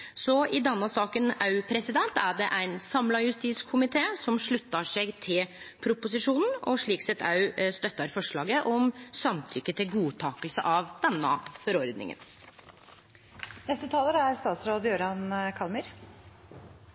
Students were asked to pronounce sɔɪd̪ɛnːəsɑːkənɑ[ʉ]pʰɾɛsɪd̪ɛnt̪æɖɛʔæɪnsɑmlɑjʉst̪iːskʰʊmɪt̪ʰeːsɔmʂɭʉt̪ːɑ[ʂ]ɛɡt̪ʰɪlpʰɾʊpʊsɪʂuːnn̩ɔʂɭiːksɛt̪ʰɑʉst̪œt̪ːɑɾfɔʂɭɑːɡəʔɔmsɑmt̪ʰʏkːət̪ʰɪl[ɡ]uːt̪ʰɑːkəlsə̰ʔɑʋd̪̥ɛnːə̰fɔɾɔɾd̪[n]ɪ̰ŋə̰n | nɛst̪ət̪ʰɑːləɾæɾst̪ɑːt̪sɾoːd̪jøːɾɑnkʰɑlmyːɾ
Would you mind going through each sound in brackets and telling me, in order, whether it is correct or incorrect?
correct, correct, correct, correct

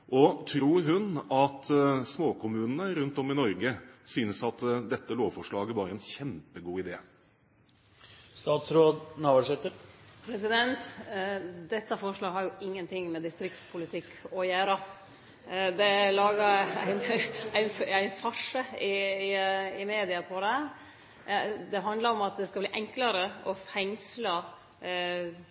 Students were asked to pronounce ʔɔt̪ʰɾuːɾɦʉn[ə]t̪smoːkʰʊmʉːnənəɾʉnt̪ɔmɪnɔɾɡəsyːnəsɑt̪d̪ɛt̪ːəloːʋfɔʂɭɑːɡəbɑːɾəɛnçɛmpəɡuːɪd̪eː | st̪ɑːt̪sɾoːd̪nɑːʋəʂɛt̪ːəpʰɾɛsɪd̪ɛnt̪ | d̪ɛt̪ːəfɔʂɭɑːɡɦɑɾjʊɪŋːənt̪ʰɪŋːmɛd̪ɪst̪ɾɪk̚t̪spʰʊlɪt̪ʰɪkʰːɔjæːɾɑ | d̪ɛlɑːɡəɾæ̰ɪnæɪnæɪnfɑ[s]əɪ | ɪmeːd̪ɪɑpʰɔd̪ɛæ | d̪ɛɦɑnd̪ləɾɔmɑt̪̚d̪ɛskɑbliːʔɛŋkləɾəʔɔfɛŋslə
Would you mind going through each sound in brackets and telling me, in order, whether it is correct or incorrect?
incorrect, incorrect

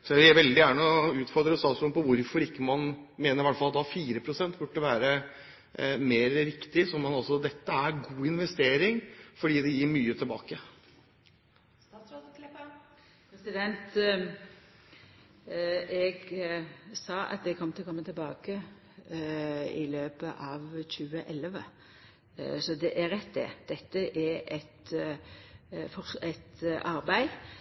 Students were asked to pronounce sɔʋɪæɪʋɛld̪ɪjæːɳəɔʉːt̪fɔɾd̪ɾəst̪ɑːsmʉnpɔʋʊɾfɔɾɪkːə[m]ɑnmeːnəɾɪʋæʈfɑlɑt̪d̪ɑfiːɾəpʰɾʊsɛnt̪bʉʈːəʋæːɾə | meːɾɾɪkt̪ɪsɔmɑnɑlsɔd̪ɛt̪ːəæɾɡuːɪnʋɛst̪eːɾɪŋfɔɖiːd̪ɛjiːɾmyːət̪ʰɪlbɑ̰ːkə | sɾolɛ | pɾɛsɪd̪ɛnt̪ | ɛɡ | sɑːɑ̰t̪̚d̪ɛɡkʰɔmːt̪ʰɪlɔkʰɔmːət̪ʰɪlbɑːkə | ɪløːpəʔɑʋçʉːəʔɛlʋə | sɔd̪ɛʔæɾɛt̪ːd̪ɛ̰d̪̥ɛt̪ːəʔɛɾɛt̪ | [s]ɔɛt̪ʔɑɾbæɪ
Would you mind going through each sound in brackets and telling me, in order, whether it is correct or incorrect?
correct, incorrect

